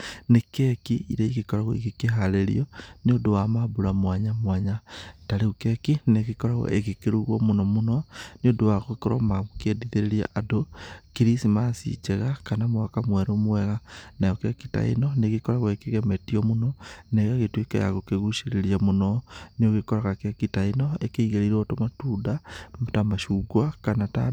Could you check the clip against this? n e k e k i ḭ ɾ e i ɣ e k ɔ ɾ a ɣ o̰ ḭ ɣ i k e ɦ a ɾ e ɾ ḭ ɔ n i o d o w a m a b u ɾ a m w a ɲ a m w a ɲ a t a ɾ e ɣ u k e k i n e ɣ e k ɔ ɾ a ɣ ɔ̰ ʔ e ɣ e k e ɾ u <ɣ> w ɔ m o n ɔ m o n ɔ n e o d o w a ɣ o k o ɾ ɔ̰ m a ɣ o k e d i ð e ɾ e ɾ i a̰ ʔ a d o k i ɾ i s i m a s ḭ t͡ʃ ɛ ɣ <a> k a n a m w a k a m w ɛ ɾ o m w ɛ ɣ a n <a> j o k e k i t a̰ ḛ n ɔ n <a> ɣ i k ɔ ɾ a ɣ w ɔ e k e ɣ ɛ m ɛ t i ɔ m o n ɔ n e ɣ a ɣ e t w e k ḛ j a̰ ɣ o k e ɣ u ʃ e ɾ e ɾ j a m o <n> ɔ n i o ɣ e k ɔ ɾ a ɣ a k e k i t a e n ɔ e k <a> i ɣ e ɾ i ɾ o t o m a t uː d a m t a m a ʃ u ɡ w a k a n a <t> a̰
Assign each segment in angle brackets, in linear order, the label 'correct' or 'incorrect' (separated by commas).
correct, correct, correct, incorrect, correct, incorrect, correct